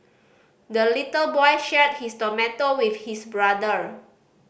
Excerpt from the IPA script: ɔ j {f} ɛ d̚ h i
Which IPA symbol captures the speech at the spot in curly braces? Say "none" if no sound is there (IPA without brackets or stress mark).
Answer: ʃ